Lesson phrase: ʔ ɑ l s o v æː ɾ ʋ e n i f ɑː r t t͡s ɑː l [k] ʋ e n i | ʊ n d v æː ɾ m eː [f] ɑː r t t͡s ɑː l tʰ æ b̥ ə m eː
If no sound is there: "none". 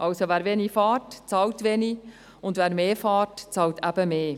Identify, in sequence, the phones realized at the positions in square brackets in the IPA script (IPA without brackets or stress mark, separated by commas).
t, f